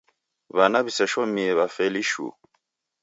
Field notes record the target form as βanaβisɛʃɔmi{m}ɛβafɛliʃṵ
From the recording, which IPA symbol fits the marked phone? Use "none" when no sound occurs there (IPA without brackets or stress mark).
none